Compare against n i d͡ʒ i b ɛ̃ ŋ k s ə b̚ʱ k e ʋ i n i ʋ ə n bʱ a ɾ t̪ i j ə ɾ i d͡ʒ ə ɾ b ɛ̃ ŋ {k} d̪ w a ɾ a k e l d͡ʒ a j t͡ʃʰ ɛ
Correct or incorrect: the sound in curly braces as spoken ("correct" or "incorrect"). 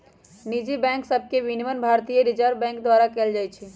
correct